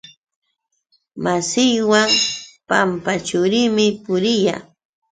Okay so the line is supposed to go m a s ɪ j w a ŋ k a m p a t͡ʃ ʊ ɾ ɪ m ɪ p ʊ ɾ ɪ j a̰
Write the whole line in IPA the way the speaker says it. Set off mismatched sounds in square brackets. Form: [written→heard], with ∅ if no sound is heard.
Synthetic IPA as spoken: m a s ɪ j w a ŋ [k→p] a m p a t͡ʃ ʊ ɾ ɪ m ɪ p ʊ ɾ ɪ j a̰